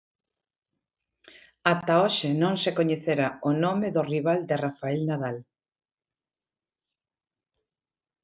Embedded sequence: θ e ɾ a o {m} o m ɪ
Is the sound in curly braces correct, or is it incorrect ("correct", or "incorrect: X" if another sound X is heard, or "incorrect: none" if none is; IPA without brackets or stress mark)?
incorrect: n